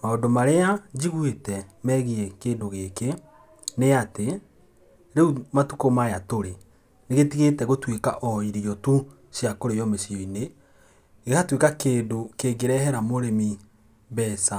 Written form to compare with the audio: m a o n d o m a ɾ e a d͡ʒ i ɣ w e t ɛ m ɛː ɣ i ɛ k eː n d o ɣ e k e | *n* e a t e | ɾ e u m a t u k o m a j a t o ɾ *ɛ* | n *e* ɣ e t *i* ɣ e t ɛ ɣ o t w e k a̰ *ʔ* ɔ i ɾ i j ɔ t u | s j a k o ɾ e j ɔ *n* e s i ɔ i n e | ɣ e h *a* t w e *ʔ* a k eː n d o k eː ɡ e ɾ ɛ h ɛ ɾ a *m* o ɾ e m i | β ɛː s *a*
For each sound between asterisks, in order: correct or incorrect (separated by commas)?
correct, incorrect, correct, correct, correct, incorrect, correct, incorrect, correct, correct